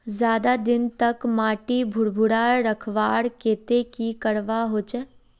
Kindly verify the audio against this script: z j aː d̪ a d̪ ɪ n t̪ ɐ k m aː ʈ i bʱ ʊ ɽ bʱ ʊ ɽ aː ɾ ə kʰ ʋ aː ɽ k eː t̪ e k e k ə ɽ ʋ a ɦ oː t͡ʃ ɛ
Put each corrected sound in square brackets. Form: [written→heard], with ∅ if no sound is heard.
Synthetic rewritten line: z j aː d̪ a d̪ ɪ n t̪ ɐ k m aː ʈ i bʱ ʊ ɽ bʱ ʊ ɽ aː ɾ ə kʰ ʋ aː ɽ k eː t̪ e k [e→i] k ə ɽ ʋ a ɦ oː t͡ʃ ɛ